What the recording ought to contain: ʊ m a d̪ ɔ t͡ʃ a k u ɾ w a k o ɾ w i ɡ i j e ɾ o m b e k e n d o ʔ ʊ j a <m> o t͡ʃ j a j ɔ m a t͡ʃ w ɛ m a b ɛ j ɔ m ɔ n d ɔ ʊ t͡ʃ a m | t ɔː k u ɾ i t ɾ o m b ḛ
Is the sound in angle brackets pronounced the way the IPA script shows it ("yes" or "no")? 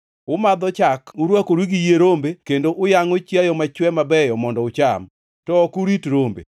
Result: no